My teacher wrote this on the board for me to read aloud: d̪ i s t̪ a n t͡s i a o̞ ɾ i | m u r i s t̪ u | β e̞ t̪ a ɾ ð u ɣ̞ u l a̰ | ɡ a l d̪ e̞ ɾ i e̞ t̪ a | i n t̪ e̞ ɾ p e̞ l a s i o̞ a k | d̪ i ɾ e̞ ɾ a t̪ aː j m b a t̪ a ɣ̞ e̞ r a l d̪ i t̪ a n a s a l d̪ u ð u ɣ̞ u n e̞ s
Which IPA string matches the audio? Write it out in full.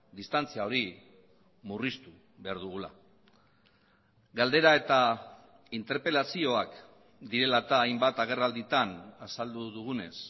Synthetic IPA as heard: d̪ i s t̪ a n t͡s i a o̞ ɾ i | m u r i s t̪ u | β e̞ a ɾ ð u ɣ̞ u l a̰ | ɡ a l d̪ e̞ ɾ a e̞ t̪ a | i n t̪ e̞ ɾ p e̞ l a s i o̞ a k | d̪ i ɾ e̞ l a t̪ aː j m b a t̪ a ɣ̞ e̞ r a l d̪ i t̪ a n a s a l d̪ u ð u ɣ̞ u n e̞ s